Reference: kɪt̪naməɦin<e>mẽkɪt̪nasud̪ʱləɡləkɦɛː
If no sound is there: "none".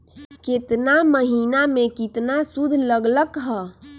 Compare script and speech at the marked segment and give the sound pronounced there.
a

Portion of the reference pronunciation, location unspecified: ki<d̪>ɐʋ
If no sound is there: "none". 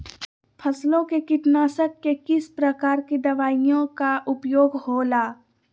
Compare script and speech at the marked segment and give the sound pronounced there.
d̪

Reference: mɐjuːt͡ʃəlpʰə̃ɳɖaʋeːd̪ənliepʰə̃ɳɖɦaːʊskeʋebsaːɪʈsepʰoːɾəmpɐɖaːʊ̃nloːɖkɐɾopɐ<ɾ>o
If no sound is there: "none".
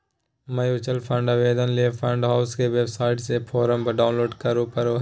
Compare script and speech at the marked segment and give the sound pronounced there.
ɾ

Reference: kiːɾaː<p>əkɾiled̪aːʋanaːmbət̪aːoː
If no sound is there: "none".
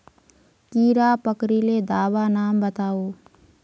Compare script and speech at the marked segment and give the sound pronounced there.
p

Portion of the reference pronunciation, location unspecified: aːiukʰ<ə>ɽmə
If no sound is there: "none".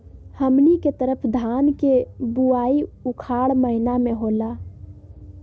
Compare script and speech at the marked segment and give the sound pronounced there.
a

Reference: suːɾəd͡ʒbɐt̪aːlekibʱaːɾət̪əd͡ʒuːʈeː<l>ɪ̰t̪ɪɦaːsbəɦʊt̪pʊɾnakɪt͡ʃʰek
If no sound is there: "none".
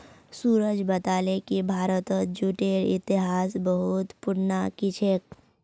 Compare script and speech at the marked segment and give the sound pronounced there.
ɾ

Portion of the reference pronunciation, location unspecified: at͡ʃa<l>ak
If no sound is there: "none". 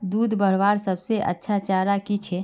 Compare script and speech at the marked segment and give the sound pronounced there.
ɾ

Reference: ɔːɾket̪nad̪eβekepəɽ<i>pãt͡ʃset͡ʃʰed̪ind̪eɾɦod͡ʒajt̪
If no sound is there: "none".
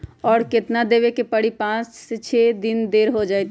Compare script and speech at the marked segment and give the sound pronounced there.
i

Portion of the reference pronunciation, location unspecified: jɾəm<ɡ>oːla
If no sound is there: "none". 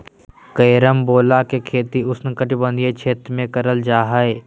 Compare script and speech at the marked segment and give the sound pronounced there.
b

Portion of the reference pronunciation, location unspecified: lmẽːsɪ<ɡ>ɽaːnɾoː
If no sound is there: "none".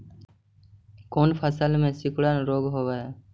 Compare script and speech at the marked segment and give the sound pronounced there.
k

